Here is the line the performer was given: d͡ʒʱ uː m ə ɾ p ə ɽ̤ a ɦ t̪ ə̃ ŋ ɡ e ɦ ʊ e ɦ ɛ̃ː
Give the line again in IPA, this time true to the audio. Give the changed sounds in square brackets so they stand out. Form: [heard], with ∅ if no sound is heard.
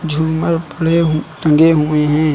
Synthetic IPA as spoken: d͡ʒʱ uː m ə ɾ p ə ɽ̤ [e] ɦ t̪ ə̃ ŋ ɡ e ɦ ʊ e ɦ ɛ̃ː